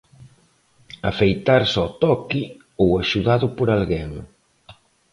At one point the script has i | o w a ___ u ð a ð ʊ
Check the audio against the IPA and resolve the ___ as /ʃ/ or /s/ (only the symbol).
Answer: ʃ